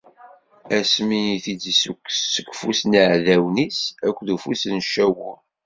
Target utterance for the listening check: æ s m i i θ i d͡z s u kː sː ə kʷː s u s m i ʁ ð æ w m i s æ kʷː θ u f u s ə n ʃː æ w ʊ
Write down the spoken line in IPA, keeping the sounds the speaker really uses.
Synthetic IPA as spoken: æ s m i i θ i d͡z s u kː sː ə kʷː f u s n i ʕ ð æ w n i s æ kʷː ð u f u s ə n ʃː æ w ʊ